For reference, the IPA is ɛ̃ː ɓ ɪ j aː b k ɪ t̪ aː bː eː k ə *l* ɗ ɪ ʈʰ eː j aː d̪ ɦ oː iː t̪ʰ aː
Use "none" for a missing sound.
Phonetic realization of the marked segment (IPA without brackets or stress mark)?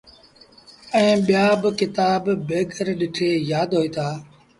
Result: ɾ